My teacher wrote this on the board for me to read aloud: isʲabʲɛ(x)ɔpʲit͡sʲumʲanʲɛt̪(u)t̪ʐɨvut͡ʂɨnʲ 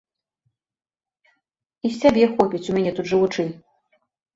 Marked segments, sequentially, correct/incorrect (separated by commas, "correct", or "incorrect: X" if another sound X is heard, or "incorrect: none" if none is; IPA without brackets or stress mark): correct, correct